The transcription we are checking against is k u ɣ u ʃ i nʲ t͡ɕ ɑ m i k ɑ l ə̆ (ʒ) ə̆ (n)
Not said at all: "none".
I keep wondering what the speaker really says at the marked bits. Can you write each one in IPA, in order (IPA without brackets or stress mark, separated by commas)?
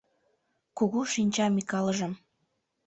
ʒ, m